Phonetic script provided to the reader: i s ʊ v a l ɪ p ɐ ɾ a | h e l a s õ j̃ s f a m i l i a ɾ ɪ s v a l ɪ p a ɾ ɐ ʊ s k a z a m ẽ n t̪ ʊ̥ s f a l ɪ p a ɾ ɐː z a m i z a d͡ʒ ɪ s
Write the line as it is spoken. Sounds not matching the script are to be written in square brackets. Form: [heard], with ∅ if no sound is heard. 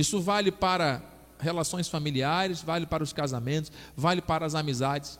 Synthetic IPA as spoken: i s ʊ v a l ɪ p [a] ɾ [ɐ] | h e l a s õ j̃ s f a m i l i a ɾ ɪ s v a l ɪ p a ɾ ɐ ʊ s k a z a m ẽ n t̪ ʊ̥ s [v] a l ɪ p a ɾ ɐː z a m i z a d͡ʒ ɪ s